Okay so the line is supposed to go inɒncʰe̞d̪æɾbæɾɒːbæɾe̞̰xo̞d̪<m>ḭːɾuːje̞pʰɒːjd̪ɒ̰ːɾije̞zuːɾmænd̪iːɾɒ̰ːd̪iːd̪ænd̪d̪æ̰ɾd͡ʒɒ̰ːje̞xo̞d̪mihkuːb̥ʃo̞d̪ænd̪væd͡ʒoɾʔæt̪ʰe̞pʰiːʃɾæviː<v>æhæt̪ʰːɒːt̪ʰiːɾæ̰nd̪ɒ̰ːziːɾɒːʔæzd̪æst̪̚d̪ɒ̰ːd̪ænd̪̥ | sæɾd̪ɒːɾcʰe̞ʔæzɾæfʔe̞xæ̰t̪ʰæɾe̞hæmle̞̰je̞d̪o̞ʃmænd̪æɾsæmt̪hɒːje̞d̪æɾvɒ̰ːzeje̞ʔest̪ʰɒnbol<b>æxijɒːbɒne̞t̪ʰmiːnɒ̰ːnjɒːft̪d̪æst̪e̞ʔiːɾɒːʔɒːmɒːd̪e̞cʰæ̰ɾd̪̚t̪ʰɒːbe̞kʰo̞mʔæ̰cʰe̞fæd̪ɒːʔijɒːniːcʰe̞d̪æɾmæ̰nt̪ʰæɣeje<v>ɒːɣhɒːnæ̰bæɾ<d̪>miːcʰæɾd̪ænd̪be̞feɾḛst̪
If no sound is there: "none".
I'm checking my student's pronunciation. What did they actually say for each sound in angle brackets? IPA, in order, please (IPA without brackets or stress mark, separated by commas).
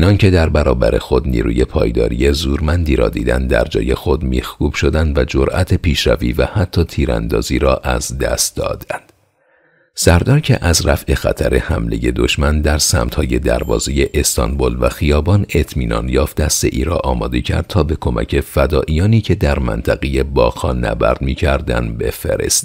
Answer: n, v, v, b, d̪